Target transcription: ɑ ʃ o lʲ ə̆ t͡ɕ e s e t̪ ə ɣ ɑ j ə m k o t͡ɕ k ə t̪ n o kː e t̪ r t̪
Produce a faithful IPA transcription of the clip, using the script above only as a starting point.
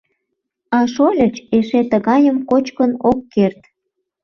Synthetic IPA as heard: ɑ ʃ o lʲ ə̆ t͡ɕ e ʃ e t̪ ə ɣ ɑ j ə m k o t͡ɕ k ə n o kː e r t̪